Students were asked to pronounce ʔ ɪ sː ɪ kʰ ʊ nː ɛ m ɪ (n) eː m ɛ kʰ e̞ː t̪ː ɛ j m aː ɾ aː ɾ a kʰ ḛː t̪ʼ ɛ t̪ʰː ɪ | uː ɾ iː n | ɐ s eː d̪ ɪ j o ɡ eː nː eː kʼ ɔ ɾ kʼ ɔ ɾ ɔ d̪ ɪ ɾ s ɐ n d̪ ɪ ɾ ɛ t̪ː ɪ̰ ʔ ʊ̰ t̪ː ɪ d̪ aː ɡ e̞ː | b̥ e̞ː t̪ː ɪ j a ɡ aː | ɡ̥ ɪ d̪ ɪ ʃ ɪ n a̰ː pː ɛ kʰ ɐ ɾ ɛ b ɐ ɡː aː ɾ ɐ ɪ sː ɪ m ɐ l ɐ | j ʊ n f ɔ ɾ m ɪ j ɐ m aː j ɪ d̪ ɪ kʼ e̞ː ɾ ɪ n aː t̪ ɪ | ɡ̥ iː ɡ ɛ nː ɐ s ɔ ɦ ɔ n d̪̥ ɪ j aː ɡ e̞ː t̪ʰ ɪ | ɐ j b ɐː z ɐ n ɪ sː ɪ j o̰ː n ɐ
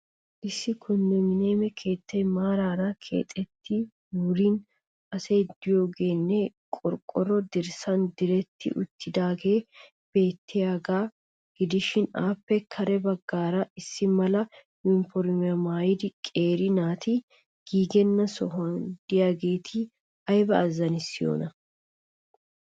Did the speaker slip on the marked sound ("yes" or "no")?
no